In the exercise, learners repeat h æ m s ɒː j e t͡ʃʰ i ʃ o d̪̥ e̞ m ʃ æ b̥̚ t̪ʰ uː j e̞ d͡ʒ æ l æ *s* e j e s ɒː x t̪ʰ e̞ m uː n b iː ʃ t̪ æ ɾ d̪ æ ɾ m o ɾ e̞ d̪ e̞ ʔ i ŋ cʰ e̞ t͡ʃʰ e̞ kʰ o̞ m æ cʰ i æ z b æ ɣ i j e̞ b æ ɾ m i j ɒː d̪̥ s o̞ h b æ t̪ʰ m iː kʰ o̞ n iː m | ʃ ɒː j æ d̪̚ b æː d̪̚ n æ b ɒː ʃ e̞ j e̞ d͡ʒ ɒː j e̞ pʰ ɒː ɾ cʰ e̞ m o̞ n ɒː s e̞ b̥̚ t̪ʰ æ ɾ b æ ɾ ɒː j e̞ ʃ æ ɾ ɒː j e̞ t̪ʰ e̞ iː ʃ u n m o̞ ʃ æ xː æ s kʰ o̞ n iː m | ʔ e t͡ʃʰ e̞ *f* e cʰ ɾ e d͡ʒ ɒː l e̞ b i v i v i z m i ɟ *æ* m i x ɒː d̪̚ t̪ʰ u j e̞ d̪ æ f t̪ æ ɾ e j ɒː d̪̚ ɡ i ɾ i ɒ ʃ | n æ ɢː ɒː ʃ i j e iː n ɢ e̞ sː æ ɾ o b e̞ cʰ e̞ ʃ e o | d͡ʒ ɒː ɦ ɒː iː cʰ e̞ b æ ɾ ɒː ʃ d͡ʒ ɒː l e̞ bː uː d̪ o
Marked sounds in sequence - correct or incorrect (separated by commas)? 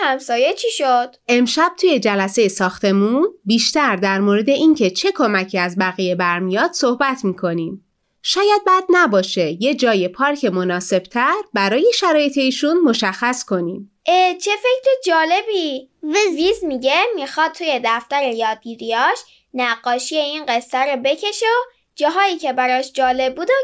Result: correct, correct, incorrect